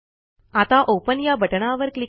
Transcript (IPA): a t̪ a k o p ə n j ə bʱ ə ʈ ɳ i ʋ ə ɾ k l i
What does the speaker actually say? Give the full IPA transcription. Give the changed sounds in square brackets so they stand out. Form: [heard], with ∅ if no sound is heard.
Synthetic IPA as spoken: a t̪ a [ʔ] o p ə n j [a] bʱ ə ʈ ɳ [a] ʋ ə ɾ k l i